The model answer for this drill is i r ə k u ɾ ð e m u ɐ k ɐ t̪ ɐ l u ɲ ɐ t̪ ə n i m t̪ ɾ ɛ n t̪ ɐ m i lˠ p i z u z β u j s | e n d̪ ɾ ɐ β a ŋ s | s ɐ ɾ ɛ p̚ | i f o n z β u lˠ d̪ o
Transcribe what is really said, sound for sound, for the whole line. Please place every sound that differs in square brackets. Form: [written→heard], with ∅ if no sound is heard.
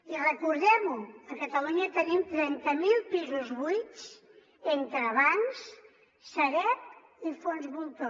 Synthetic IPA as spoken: i r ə k u ɾ ð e m u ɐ k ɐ t̪ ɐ l u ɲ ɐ t̪ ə n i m t̪ ɾ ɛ n t̪ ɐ m i lˠ p i z u z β u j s | e n [d̪→t̪] ɾ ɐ β a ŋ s | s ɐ ɾ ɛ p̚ | i f o n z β u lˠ [d̪→t̪] o